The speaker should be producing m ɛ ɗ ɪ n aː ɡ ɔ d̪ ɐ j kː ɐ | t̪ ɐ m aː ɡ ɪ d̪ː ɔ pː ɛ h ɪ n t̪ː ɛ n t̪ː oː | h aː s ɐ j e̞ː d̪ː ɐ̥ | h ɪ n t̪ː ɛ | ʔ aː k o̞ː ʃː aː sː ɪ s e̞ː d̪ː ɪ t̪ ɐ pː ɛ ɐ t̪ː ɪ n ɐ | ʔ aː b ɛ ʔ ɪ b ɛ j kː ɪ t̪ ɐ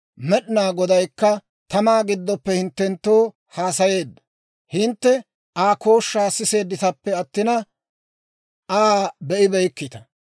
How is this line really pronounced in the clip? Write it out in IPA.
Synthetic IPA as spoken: m ɛ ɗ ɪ n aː ɡ ɔ d̪ ɐ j kː ɐ | t̪ ɐ m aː ɡ ɪ d̪ː ɔ pː ɛ h ɪ n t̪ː ɛ n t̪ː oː | h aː s ɐ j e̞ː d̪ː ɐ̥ | h ɪ n t̪ː ɛ | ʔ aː k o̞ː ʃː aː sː ɪ s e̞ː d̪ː ɪ t̪ ɐ pː ɛ ɐ t̪ː ɪ n ɐ | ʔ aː b ɛ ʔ ɪ b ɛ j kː ɪ t̪ ɐ